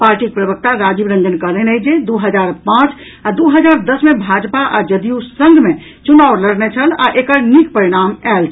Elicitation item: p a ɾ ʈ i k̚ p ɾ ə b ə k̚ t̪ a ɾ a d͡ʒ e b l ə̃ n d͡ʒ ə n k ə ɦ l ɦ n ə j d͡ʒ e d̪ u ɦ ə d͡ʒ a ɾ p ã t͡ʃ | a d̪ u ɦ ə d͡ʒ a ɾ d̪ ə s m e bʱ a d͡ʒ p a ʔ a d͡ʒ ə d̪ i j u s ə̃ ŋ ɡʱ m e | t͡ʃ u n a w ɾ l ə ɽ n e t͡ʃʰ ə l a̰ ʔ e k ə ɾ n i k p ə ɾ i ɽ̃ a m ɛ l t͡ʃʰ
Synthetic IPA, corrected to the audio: p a ɾ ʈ i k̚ p ɾ ə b ə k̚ t̪ a ɾ a d͡ʒ i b ɾ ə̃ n d͡ʒ ə n k ə ɦ l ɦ n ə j d͡ʒ e d̪ u ɦ ə d͡ʒ a ɾ p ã t͡ʃ | a d̪ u ɦ ə d͡ʒ a ɾ d̪ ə s m e bʱ a d͡ʒ p a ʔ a d͡ʒ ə d̪ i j u s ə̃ ŋ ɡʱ m e | t͡ʃ u n a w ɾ l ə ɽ n e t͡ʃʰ ə l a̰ ʔ e k ə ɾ n i k p ə ɾ i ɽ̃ a m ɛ l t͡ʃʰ